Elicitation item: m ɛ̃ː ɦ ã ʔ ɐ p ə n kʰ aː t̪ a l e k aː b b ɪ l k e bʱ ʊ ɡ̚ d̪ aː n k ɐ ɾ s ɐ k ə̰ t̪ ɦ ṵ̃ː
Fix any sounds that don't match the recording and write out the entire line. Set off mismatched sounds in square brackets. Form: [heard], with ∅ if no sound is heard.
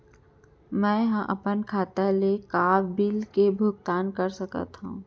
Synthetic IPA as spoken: m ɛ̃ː ɦ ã ʔ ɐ p ə n kʰ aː t̪ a l e k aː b b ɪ l k e bʱ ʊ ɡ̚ [t̪] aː n k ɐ ɾ s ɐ k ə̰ t̪ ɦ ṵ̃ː